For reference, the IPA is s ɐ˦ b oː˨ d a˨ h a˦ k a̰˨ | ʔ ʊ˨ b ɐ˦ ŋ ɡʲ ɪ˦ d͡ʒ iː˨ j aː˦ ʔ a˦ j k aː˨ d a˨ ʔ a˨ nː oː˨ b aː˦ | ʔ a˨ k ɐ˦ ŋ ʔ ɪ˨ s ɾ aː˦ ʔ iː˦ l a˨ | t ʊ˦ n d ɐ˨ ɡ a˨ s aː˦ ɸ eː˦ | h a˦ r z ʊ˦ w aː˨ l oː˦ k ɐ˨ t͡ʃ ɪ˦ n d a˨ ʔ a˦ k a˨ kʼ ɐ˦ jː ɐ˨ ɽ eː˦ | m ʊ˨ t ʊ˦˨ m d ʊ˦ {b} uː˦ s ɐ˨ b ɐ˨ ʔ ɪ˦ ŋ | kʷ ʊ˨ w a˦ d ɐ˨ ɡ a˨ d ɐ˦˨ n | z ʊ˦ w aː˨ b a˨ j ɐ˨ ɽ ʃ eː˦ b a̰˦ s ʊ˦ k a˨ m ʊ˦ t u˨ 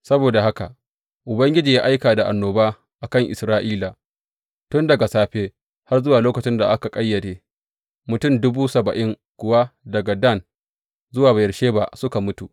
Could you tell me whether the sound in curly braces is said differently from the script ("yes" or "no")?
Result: no